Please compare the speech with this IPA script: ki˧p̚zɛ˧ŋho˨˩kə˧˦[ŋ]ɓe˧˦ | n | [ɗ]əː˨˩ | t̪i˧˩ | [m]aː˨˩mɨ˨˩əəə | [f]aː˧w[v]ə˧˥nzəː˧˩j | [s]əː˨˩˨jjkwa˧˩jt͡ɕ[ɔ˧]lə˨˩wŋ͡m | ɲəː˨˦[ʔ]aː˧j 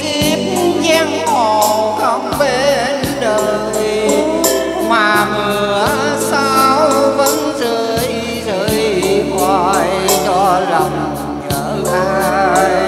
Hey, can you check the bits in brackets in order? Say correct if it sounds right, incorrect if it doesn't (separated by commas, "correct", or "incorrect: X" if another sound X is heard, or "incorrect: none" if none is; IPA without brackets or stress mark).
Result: incorrect: ŋ͡m, correct, correct, incorrect: s, correct, incorrect: z, correct, correct